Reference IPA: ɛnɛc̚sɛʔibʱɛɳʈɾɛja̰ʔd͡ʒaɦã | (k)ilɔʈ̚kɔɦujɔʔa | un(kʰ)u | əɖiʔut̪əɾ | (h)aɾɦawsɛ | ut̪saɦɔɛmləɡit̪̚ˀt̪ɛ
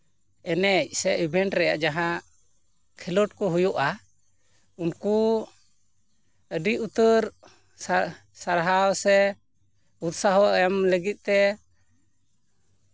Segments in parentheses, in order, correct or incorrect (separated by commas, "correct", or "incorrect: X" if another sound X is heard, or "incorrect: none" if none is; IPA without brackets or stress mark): incorrect: kʰ, incorrect: k, incorrect: s